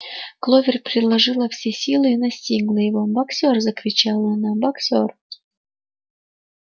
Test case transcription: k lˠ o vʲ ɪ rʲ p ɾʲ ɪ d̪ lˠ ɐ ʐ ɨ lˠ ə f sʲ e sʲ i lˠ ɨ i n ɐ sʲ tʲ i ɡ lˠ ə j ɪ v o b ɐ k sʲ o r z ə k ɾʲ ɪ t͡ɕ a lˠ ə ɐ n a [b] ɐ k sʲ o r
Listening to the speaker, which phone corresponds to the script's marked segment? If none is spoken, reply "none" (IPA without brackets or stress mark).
b